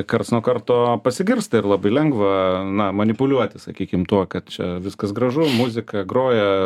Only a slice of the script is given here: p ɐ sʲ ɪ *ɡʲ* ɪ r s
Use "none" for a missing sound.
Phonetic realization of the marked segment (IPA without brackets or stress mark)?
ɡʲ